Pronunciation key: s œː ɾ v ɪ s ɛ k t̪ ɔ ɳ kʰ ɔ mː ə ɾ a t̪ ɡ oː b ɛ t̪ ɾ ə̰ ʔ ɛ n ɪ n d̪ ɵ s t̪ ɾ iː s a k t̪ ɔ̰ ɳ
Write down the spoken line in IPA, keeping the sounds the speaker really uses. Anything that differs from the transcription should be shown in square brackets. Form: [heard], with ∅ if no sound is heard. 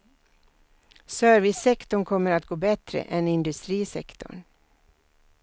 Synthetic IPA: s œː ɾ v ɪ s ɛ k t̪ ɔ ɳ kʰ ɔ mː ə ɾ a t̪ ɡ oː b ɛ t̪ ɾ ə̰ ʔ ɛ n ɪ n d̪ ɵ s t̪ ɾ iː s [ɛ] k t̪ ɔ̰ ɳ